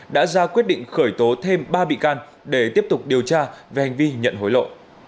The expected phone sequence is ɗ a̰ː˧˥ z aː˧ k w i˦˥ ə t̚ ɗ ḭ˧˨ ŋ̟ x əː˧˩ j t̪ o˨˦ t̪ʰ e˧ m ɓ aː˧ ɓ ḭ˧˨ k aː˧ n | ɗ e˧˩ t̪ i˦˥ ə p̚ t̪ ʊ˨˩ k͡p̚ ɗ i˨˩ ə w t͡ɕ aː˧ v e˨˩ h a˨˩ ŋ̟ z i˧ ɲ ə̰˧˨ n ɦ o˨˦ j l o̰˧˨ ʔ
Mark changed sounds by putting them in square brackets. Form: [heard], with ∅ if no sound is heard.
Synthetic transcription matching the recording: ɗ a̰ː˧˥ z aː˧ k w i˦˥ ə t̚ ɗ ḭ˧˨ ŋ̟ x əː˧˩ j t̪ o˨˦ t̪ʰ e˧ m ɓ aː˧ ɓ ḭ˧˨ k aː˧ n | ɗ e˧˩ t̪ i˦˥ ə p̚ t̪ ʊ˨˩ k͡p̚ ɗ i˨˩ ə w t͡ɕ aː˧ v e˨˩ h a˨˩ ŋ̟ [v] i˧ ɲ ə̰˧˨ n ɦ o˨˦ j l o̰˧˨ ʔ

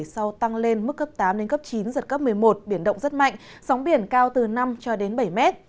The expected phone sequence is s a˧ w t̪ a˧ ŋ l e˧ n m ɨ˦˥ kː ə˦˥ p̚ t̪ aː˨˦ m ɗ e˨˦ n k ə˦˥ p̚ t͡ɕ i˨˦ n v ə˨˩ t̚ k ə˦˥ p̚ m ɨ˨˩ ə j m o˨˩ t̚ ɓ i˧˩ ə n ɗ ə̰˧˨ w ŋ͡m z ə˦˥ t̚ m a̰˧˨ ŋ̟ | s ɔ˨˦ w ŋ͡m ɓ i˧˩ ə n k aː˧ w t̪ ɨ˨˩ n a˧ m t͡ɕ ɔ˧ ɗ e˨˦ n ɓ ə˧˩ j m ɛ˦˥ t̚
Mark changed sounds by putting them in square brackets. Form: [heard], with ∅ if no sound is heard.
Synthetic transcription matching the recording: s a˧ w t̪ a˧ ŋ l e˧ n m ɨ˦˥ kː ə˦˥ p̚ t̪ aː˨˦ m ɗ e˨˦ n k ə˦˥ p̚ t͡ɕ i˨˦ n [z] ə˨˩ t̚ k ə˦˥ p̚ m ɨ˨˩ ə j m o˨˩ t̚ ɓ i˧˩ ə n ɗ ə̰˧˨ w ŋ͡m z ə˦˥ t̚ m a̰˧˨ ŋ̟ | s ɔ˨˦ w ŋ͡m ɓ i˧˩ ə n k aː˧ w t̪ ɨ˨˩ n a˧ m t͡ɕ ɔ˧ ɗ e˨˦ n ɓ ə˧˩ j m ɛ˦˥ t̚

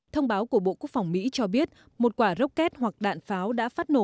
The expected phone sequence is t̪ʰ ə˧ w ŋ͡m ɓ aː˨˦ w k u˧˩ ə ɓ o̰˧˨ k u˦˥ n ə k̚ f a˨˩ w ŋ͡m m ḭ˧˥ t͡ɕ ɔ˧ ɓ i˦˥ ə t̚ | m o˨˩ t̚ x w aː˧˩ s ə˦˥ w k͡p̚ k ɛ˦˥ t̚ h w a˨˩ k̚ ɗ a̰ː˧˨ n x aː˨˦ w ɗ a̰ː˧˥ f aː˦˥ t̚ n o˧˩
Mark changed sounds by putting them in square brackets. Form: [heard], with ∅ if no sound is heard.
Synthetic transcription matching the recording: t̪ʰ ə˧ w ŋ͡m ɓ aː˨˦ w k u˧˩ ə ɓ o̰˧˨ k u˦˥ [∅] ə k̚ f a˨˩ w ŋ͡m m ḭ˧˥ t͡ɕ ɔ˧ ɓ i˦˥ ə t̚ | m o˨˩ t̚ [k] w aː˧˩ [z] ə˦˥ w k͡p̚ k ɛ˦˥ t̚ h w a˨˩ k̚ ɗ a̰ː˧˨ n [f] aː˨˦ w ɗ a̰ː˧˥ f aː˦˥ t̚ n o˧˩

